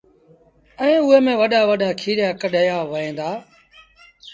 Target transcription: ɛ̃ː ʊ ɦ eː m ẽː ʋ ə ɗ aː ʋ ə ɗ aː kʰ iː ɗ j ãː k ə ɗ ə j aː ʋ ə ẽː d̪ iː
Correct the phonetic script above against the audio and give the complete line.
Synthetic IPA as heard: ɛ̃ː ʊ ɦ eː m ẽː ʋ ə ɗ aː ʋ ə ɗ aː kʰ iː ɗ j aː k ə ɗ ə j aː ʋ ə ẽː d̪ aː